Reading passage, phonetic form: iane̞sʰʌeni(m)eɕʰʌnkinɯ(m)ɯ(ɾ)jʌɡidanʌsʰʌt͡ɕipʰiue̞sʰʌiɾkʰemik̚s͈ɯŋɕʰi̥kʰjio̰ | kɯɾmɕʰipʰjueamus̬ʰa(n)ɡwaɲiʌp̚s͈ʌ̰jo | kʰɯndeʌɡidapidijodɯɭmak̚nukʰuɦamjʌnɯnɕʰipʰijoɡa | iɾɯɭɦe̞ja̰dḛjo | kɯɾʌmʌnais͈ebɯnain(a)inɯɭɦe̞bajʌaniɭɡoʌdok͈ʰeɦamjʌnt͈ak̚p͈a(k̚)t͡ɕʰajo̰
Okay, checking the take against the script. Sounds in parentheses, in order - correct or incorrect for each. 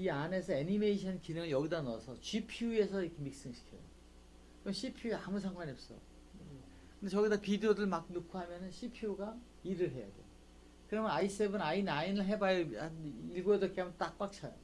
correct, incorrect: ŋ, incorrect: ɭ, incorrect: ŋ, correct, correct

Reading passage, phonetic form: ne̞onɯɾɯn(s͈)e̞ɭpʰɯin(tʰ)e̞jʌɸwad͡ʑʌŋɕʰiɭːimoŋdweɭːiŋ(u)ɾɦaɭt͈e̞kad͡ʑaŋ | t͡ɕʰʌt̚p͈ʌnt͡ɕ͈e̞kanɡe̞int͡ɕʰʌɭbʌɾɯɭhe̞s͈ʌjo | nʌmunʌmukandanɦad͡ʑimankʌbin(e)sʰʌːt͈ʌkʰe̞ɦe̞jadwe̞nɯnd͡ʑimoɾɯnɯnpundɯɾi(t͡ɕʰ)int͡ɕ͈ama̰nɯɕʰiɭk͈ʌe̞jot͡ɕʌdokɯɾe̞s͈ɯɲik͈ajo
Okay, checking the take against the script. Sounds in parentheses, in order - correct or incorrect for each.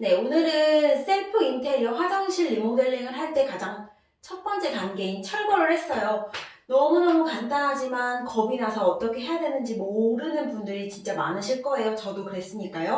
correct, correct, incorrect: ɯ, incorrect: a, incorrect: t͡ɕ

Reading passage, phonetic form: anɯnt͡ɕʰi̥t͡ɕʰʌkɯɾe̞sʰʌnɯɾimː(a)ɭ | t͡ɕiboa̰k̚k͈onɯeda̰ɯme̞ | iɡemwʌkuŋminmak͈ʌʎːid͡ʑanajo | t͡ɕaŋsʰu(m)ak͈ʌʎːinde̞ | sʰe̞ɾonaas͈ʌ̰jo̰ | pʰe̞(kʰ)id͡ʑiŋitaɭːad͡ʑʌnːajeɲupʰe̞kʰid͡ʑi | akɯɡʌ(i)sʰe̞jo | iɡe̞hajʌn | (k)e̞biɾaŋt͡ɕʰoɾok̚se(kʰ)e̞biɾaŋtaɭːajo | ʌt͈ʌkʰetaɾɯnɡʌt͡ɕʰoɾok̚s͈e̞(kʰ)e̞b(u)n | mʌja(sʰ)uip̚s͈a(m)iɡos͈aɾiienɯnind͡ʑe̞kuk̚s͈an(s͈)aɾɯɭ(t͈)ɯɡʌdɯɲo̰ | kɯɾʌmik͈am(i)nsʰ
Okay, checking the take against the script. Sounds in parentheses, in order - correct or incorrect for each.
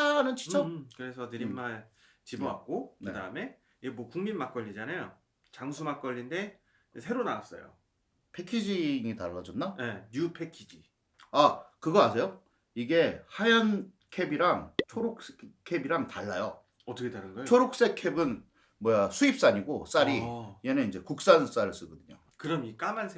correct, correct, correct, incorrect: a, incorrect: kʰ, correct, correct, incorrect: ɯ, correct, incorrect: ɲ, correct, incorrect: s͈, incorrect: a

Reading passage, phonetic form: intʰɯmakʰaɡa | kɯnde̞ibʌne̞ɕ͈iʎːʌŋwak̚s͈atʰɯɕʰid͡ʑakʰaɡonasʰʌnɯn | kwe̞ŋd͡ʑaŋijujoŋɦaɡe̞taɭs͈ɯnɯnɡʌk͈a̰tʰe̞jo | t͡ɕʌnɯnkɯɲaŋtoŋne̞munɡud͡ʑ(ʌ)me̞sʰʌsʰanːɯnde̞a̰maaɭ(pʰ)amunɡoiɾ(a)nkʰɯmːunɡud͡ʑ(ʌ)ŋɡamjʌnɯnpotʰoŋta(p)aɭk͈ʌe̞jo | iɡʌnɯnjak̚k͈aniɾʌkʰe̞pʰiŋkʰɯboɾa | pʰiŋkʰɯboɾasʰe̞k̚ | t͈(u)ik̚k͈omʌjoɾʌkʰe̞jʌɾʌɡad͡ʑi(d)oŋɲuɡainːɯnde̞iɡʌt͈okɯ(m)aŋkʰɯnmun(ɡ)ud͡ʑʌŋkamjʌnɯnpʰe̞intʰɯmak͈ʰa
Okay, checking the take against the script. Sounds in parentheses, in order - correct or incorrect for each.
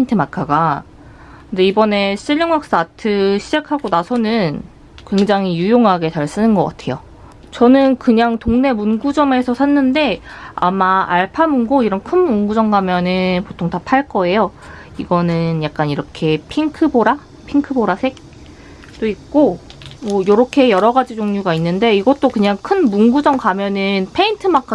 correct, correct, incorrect: ʌ, correct, incorrect: pʰ, incorrect: o, incorrect: d͡ʑ, incorrect: ɲ, correct

